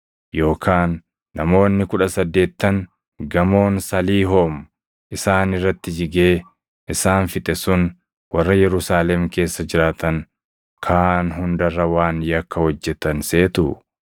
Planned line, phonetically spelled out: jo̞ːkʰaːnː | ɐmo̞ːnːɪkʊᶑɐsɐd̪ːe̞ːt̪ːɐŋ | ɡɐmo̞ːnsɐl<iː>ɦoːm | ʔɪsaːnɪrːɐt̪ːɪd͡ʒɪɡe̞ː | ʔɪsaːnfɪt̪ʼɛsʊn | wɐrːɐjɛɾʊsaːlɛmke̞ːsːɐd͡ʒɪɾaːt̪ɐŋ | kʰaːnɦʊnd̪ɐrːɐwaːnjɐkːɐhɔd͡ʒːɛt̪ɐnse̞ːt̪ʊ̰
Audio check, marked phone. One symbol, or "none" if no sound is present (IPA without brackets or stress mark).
iː